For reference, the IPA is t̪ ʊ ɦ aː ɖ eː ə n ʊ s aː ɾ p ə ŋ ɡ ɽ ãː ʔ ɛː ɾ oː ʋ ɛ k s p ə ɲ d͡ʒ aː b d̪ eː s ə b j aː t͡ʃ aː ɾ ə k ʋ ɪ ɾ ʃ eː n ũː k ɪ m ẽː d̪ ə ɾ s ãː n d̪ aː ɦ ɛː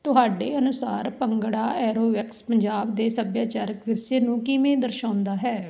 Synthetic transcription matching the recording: t̪ ʊ ɦ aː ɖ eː ə n ʊ s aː ɾ p ə ŋ ɡ ɽ aː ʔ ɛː ɾ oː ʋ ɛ k s p ə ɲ d͡ʒ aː b d̪ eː s ə b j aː t͡ʃ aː ɾ ə k ʋ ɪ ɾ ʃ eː n ũː k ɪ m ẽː d̪ ə ɾ ʃ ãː n d̪ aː ɦ ɛː